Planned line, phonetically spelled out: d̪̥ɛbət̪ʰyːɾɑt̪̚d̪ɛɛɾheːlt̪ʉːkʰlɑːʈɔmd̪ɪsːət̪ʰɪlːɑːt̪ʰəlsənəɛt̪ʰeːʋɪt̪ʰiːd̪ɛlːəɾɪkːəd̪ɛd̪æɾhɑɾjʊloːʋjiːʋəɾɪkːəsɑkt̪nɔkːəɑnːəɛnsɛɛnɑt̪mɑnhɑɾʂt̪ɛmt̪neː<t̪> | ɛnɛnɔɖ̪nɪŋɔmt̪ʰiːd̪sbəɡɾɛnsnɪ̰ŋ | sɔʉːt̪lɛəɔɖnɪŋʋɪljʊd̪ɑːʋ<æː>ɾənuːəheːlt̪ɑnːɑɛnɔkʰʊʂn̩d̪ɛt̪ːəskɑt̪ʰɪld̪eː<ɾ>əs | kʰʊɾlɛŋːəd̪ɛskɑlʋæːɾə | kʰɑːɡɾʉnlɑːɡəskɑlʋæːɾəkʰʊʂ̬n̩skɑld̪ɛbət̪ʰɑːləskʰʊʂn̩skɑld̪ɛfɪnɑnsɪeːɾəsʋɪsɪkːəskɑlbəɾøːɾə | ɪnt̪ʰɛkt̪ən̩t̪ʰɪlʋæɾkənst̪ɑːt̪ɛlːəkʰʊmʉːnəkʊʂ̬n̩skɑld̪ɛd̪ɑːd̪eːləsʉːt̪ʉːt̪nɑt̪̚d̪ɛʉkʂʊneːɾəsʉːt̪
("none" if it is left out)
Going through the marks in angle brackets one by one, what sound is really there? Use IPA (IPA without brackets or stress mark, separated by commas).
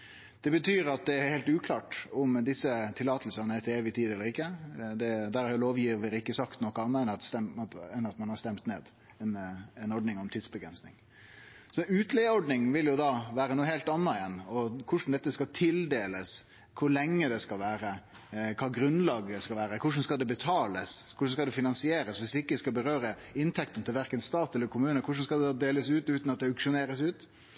d̪, æː, l